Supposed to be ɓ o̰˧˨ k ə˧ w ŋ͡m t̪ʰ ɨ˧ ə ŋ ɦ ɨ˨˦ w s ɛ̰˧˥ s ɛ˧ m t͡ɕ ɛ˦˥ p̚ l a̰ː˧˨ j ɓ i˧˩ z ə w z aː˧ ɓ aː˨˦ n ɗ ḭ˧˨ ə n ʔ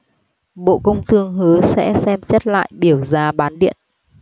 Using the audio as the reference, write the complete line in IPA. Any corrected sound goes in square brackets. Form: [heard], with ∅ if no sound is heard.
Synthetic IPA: ɓ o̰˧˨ k ə˧ w ŋ͡m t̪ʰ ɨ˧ ə ŋ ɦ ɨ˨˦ [∅] s ɛ̰˧˥ s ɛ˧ m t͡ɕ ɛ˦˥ [t̚] l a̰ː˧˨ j ɓ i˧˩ [∅] ə w z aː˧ ɓ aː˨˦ n ɗ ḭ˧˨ ə n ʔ